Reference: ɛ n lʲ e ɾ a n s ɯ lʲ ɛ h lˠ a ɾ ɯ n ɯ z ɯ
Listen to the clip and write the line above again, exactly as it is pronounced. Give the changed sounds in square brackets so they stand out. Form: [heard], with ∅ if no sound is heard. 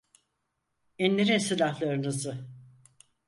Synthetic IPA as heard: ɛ n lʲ e ɾ [i] n s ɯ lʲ [a] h lˠ a ɾ ɯ n ɯ z ɯ